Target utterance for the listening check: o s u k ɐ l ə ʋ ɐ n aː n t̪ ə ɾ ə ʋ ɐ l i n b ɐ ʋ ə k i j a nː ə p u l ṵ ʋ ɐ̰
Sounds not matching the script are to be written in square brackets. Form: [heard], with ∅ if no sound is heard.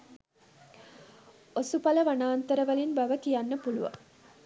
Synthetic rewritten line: o s u [p] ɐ l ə ʋ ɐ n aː n t̪ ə ɾ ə ʋ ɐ l i n b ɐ ʋ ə k i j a nː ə p u l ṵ ʋ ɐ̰

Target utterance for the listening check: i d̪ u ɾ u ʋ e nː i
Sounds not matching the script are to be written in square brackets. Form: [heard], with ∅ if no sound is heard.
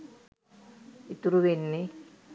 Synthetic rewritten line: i [t̪] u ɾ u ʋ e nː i

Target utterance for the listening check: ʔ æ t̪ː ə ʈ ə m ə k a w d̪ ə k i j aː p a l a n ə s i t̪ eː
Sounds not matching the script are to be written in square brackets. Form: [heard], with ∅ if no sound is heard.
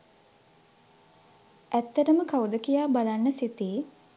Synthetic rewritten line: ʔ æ t̪ː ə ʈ ə m ə k a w d̪ ə k i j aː [b] a l a [nː] ə s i t̪ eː

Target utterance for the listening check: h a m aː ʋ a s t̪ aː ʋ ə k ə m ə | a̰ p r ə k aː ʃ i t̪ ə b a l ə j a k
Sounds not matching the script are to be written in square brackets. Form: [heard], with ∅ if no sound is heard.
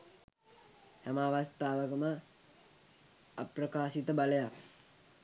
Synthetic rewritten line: h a m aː ʋ a s t̪ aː ʋ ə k ə m ə | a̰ p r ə k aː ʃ i t̪ ə b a l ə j a k

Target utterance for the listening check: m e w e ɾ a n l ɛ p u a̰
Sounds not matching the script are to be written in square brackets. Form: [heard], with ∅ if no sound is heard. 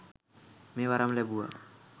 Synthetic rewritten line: m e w [a] ɾ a [m] l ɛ [b] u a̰

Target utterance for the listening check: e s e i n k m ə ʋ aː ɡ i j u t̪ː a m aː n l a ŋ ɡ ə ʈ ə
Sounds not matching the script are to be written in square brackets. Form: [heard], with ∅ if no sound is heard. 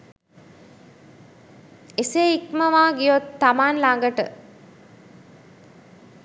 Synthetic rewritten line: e s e i [∅] k m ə ʋ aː ɡ i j [o] t̪ː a m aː n l a ŋ ɡ ə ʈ ə

